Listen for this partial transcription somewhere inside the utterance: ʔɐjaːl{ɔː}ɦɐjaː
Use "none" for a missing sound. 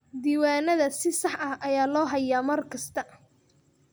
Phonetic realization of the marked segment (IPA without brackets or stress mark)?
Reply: ɔː